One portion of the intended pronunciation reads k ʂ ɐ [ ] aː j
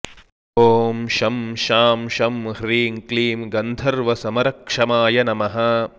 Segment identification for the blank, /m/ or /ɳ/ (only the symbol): m